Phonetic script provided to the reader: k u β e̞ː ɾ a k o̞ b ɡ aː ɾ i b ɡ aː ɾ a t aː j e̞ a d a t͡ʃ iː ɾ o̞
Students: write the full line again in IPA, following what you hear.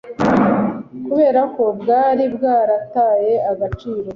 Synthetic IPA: k u β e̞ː ɾ a k o̞ b ɡ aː ɾ i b ɡ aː ɾ a t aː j e̞ a ɡ a t͡ʃ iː ɾ o̞

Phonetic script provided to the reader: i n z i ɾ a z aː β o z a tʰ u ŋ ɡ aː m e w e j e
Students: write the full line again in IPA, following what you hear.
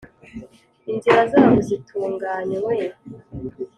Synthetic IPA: i n z i ɾ a z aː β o z i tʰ uː ŋ ɡ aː ɲ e w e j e

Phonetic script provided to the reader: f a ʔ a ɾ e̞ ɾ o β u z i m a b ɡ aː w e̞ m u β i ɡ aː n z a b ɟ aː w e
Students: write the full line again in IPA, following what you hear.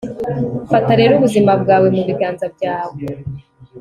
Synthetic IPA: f a t a ɾ e̞ ɾ u β u z i m a b ɡ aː w e̞ m u β i ɡ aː n z a b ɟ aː w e

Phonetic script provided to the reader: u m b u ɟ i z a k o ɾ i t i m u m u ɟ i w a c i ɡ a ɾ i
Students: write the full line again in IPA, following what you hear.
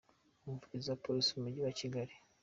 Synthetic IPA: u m v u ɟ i z a p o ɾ i s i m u m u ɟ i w a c i ɡ a ɾ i

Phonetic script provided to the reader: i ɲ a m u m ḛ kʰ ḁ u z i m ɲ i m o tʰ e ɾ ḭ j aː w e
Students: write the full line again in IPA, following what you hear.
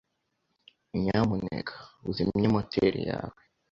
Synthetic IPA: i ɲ a m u n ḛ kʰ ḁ u z i m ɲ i m o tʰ e ɾ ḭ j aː w e

